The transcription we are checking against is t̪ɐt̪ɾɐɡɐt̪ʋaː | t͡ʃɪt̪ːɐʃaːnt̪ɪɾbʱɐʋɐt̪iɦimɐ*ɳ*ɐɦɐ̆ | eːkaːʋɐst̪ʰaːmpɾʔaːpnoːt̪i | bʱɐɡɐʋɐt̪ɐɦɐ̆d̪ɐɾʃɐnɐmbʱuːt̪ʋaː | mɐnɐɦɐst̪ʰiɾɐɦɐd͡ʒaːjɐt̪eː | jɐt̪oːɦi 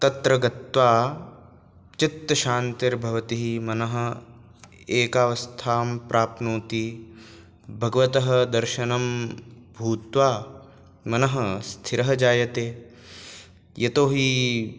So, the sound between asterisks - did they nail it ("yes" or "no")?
no